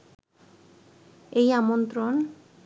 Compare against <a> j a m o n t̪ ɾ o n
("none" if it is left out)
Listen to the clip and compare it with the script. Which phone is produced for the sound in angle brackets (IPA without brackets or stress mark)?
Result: e